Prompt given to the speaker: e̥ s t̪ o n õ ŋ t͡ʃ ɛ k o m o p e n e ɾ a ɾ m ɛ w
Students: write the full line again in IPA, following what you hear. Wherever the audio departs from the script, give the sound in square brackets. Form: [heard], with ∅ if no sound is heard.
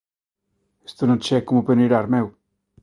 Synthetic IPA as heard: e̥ s t̪ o n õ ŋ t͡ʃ ɛ k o m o p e n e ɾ a ɾ m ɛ w